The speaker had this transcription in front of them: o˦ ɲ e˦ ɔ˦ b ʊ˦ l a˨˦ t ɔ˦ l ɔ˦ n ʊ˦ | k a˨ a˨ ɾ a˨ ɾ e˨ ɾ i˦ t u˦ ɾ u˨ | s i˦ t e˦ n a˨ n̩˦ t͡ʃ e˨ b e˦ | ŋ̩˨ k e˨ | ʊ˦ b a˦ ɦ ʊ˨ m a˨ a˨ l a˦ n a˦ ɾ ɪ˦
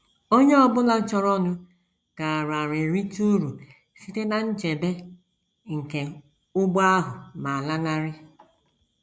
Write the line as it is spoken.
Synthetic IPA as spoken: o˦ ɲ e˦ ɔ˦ b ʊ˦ l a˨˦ t͡ʃ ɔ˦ ɾ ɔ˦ n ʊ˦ | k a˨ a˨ ɾ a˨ ɾ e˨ ɾ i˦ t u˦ ɾ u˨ | s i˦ t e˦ n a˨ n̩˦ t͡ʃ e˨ b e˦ | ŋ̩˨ k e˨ | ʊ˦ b a˦ ɦ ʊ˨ m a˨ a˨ l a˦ n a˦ ɾ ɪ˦